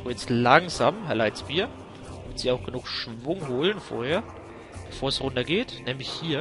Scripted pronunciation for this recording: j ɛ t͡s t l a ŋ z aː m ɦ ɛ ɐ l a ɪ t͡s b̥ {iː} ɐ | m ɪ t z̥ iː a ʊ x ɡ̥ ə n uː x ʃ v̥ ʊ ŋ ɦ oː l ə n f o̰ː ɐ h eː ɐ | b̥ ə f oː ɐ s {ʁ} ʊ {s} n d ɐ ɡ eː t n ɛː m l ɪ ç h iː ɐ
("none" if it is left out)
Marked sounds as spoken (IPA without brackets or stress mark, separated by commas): iː, ʁ, none